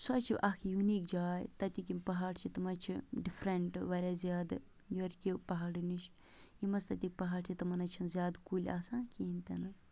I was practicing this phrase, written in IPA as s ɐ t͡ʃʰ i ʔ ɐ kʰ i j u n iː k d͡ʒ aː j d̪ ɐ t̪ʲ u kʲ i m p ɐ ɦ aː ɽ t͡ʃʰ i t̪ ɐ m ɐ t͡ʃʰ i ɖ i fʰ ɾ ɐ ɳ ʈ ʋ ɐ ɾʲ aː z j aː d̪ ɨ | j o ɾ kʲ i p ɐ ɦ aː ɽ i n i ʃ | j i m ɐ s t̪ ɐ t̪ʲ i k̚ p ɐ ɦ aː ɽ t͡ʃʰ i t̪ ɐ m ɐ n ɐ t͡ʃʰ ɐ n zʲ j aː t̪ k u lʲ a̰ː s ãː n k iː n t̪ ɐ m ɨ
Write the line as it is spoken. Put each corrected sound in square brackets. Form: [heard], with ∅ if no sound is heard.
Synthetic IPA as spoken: s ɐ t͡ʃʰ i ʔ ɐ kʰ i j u n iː k d͡ʒ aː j [t̪] ɐ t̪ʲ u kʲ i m p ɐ ɦ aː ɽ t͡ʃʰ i t̪ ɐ m ɐ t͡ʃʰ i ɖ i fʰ ɾ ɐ ɳ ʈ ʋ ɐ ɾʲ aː z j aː d̪ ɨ | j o ɾ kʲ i p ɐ ɦ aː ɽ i n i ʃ | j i m ɐ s t̪ ɐ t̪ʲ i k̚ p ɐ ɦ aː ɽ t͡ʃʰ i t̪ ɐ m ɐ n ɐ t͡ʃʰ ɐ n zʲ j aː [d̪] k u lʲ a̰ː s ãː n k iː n t̪ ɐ [n] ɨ